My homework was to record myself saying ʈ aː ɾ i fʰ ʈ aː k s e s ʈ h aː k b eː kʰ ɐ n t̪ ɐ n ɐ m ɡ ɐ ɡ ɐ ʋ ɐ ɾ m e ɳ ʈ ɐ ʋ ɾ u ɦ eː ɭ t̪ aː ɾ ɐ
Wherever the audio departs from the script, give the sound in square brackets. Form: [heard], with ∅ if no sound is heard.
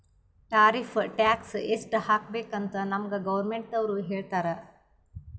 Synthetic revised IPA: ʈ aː ɾ i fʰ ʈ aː k s e s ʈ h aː k b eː [k] ɐ n t̪ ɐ n ɐ m ɡ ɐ ɡ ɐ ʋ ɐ ɾ m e ɳ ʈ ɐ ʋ ɾ u ɦ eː ɭ t̪ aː ɾ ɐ